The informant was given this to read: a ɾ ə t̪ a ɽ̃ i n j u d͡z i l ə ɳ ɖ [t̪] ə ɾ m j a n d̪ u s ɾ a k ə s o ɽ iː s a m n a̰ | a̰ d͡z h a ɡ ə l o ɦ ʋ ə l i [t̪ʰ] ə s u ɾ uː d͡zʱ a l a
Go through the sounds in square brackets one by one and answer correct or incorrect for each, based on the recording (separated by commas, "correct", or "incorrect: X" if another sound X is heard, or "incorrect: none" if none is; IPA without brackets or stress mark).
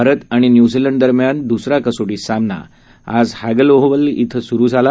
incorrect: d̪, correct